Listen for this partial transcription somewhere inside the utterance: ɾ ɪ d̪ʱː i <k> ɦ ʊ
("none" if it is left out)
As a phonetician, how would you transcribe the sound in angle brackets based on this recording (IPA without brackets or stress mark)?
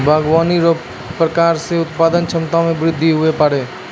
none